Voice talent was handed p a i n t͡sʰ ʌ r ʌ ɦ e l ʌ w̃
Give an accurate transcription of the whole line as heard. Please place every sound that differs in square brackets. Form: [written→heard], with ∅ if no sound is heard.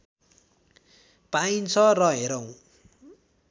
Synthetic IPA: p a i n t͡sʰ ʌ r ʌ ɦ e [l→ɾ] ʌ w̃